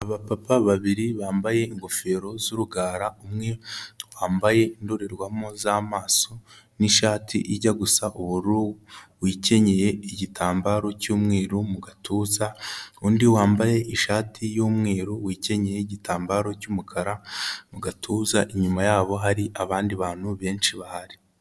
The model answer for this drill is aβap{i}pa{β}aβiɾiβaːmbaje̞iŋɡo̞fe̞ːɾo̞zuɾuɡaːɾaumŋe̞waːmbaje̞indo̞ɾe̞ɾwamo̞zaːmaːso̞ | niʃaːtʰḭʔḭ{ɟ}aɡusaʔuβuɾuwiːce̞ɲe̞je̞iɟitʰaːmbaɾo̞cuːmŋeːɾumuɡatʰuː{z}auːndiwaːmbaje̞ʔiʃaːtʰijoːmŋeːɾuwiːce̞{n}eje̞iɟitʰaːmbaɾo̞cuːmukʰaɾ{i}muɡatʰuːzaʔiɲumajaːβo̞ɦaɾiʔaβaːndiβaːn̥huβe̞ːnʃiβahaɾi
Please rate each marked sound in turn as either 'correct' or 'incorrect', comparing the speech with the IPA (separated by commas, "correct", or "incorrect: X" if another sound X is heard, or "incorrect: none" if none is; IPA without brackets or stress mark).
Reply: incorrect: a, correct, correct, correct, incorrect: ɲ, incorrect: a